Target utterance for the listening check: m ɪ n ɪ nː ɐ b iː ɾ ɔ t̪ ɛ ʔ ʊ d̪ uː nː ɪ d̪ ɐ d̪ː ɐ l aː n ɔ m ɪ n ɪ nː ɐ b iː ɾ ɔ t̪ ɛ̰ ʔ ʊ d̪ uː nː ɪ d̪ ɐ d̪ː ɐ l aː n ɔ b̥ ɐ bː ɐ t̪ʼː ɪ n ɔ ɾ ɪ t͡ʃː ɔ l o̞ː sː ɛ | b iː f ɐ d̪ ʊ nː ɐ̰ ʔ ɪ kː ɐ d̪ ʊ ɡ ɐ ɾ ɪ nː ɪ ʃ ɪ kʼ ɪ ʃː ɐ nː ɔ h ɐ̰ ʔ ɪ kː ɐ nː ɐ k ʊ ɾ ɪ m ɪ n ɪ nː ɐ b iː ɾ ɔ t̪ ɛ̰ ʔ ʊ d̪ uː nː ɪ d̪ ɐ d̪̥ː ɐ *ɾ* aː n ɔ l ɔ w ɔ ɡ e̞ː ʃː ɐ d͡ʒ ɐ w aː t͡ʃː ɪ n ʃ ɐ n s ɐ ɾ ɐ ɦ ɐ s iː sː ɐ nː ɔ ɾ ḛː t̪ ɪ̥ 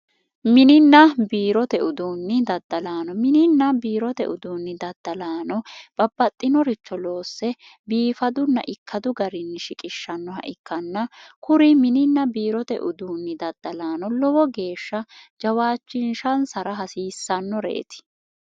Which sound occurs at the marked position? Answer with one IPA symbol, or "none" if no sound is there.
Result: l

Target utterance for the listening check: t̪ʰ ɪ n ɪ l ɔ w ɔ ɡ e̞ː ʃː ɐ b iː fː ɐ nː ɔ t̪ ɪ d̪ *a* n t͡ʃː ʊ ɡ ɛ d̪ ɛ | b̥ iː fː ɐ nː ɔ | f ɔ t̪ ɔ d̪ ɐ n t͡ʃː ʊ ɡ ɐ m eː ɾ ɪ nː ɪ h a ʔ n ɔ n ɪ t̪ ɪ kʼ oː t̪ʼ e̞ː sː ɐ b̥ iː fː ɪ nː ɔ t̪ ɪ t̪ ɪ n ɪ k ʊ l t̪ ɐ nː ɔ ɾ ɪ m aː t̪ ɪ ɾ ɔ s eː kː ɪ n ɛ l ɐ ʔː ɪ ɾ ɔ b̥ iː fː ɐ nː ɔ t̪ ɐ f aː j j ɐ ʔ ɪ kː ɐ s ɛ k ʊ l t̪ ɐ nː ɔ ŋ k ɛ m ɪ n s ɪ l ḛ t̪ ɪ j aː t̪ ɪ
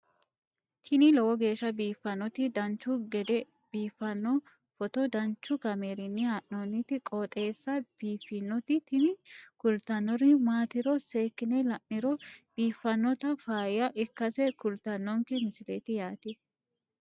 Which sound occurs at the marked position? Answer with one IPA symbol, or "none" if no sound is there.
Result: ɐ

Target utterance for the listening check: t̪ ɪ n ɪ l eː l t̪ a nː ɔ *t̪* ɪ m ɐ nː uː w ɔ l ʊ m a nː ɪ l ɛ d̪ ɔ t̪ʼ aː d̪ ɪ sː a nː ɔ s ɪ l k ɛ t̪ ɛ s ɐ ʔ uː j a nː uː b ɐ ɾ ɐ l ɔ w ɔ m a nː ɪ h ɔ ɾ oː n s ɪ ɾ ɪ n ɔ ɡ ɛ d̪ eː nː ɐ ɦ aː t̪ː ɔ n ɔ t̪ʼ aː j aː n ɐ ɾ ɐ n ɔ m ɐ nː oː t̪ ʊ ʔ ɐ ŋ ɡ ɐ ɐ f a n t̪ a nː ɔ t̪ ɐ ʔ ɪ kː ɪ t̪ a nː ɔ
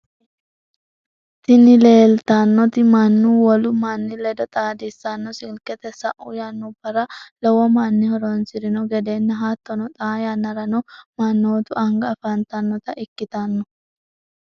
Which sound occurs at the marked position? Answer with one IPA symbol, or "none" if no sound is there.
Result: t̪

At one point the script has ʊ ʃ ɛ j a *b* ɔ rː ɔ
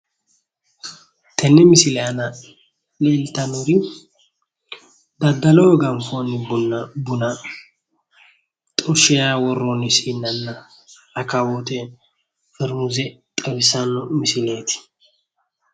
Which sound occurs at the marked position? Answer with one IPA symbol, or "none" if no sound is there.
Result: w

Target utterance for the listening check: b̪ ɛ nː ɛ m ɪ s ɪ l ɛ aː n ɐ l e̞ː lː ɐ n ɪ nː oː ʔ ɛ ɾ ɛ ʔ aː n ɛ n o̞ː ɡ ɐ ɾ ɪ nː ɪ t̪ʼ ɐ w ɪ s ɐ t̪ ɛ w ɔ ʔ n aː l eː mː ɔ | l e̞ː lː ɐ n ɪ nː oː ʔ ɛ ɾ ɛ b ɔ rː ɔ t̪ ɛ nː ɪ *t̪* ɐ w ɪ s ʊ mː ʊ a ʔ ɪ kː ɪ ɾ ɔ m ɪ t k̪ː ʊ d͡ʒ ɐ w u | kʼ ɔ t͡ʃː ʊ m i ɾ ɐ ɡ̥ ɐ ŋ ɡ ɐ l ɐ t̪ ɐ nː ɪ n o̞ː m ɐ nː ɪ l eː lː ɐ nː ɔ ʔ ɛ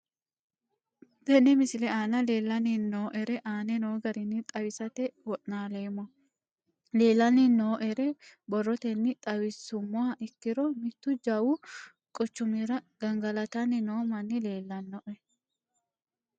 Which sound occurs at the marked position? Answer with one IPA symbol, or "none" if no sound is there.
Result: t̪ʼ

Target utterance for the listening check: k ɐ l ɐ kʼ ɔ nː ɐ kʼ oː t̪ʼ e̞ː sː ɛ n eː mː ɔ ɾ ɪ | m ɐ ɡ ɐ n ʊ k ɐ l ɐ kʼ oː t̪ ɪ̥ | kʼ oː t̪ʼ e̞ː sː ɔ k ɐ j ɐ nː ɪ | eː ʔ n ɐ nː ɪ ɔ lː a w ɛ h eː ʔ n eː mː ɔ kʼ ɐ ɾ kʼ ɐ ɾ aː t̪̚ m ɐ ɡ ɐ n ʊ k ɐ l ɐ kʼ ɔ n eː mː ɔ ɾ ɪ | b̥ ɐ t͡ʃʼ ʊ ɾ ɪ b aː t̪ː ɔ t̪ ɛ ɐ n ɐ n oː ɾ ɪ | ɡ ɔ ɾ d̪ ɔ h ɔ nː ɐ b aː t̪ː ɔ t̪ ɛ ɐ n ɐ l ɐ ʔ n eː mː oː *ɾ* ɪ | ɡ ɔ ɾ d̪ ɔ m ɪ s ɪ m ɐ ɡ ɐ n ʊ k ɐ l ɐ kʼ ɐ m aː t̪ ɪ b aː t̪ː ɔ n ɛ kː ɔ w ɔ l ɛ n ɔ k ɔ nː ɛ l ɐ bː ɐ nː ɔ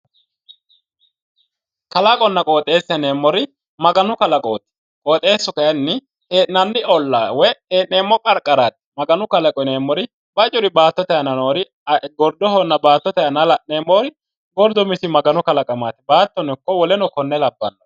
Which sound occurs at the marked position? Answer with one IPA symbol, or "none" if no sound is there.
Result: ɾ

